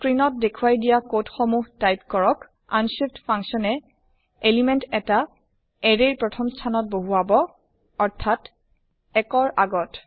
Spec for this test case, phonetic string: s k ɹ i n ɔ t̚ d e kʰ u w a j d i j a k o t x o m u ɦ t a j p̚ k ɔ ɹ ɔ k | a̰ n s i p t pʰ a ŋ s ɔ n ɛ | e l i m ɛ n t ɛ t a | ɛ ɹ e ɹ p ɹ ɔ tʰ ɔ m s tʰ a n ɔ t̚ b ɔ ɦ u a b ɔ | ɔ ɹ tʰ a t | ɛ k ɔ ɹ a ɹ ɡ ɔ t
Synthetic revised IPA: s k ɹ i n ɔ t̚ d e kʰ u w a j d i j a k o t x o m u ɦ t a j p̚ k ɔ ɹ ɔ k | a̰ n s i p t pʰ a ŋ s ɔ n ɛ | e l i m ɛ n t ɛ t a | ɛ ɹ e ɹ p ɹ ɔ tʰ ɔ m s tʰ a n ɔ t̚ b o ɦ u a b ɔ | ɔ ɹ tʰ a t | ɛ k ɔ ɹ a ɡ ɔ t